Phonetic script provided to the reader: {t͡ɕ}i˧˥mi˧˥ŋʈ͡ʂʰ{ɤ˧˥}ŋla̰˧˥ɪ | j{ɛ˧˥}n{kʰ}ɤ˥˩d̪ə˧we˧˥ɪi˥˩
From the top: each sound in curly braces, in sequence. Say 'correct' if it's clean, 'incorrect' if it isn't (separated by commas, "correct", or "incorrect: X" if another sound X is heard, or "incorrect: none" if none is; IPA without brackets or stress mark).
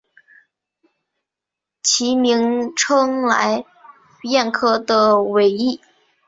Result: incorrect: t͡ɕʰ, incorrect: ɤ˥, incorrect: ɛ˥˧, correct